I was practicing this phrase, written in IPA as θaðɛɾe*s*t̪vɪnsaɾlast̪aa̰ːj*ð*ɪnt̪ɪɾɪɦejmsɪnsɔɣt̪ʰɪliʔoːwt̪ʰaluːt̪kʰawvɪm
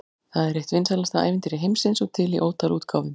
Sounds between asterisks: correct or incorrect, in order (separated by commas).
incorrect, incorrect